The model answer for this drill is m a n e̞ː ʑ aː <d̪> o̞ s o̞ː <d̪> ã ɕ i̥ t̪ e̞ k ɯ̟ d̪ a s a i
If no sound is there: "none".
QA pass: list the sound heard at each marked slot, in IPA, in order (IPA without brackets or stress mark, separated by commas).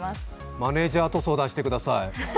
t̪, d̪